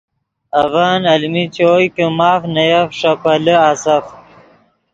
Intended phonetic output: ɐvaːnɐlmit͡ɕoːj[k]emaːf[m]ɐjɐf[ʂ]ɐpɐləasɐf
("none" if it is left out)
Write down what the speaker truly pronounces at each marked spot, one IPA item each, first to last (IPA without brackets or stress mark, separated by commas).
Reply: k, n, ʂ